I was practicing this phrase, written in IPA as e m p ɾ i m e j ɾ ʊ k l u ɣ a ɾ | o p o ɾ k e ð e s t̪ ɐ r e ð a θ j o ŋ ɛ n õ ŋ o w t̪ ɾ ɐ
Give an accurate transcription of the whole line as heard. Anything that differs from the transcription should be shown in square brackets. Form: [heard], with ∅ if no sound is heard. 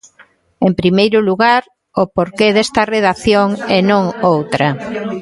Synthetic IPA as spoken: e m p ɾ i m e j ɾ ʊ [∅] l u ɣ a ɾ | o p o ɾ k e ð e s t̪ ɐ r e ð a θ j o ŋ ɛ n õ ŋ o w t̪ ɾ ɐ